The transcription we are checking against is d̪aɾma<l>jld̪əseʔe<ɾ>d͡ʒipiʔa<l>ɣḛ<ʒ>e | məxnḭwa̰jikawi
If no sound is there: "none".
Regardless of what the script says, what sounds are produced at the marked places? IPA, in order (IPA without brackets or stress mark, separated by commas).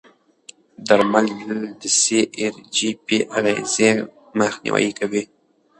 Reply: l, ɾ, none, z